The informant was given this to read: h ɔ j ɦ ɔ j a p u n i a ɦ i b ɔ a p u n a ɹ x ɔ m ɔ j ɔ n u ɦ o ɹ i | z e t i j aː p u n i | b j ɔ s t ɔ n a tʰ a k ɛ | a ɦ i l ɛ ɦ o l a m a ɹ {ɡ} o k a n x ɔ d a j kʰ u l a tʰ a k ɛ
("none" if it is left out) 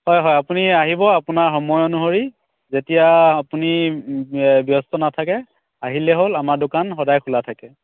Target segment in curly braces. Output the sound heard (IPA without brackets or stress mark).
d